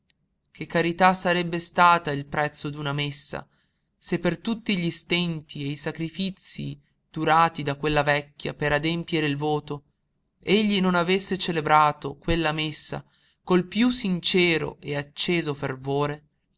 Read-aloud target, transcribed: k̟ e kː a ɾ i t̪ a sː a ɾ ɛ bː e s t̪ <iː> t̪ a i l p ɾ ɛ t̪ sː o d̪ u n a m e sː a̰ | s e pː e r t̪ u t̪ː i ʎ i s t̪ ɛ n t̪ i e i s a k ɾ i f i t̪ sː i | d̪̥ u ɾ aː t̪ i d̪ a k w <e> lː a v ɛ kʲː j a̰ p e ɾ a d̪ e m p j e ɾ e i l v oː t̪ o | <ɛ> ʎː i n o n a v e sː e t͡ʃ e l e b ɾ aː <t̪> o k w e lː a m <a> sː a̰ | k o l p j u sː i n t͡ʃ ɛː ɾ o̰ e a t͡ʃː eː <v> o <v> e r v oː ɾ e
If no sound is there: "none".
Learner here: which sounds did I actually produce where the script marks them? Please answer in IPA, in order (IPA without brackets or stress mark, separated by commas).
aː, e, e, t̪, e, z, f